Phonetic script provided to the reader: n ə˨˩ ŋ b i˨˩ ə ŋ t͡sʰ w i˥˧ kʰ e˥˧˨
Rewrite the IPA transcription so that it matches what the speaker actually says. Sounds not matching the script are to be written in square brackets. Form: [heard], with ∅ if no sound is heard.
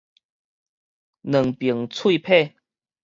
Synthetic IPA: n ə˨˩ ŋ [p] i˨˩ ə ŋ t͡sʰ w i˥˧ [pʰ] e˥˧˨